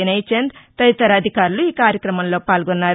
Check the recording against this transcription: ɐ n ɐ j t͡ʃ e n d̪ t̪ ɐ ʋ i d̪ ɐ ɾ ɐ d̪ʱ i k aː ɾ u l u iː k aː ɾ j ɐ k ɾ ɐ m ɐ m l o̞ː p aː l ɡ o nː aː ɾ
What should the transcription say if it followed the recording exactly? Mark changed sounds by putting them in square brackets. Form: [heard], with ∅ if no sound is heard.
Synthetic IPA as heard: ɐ n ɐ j t͡ʃ e n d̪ t̪ ɐ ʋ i [t̪] ɐ ɾ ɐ d̪ʱ i k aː ɾ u l u iː k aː ɾ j ɐ k ɾ ɐ m ɐ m l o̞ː p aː l ɡ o nː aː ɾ